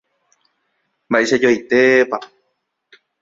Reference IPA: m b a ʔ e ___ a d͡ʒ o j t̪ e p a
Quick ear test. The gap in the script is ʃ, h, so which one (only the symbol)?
ʃ